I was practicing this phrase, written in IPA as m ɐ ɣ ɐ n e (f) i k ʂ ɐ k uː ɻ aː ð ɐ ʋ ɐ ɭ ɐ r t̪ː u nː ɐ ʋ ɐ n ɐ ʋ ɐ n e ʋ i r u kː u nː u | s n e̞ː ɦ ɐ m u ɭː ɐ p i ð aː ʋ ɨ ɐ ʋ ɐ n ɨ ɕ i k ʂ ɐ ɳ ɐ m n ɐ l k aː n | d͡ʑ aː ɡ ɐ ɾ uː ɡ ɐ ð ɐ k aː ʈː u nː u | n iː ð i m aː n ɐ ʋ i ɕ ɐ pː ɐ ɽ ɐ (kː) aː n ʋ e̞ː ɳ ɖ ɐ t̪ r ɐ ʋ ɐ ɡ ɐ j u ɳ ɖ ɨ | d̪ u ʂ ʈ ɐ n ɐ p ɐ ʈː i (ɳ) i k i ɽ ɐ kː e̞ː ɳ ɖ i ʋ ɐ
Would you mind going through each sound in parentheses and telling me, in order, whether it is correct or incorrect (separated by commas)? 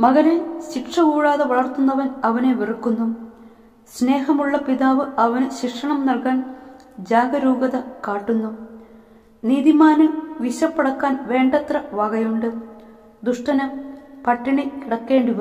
incorrect, correct, correct